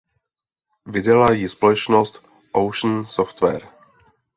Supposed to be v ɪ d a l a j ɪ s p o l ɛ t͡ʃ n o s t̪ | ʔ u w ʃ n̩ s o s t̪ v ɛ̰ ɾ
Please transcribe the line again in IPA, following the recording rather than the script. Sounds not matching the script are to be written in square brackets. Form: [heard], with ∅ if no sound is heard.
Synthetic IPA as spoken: v ɪ d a l a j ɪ s p o l ɛ t͡ʃ n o s t̪ | ʔ [o] w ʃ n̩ s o [f] t̪ v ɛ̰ ɾ